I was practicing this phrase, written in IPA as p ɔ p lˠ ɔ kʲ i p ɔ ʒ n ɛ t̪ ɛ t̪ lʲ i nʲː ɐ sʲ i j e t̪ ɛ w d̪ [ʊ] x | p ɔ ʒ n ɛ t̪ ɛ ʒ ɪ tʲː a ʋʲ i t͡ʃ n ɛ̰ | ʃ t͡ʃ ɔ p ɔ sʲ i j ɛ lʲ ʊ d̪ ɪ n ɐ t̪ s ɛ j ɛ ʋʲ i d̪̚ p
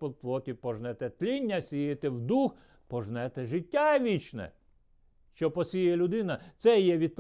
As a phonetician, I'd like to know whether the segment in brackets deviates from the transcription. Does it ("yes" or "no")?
yes